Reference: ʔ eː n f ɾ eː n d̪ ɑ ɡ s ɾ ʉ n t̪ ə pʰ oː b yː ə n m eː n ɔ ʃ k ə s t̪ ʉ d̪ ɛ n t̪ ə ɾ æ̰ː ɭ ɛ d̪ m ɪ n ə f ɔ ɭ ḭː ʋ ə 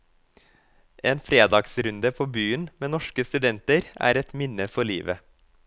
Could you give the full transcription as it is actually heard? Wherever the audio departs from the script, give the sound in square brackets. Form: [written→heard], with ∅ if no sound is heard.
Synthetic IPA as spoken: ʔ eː n f ɾ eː [n→∅] d̪ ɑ ɡ s ɾ ʉ n [t̪→d̪] ə pʰ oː b yː ə n m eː n ɔ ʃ k ə s t̪ ʉ d̪ ɛ n t̪ ə ɾ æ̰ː [ɭ→ɾ] ɛ [d̪→t̪] m ɪ n ə f ɔ ɭ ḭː ʋ ə